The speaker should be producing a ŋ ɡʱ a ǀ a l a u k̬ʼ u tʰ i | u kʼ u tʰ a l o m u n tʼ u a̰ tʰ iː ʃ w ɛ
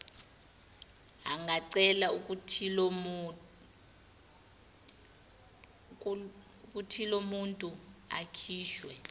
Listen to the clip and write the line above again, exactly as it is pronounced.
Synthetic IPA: a ŋ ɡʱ a ǀ ɛ l a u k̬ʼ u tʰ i | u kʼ u tʰ i l o m u n tʼ u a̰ kʰ iː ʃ w ɛ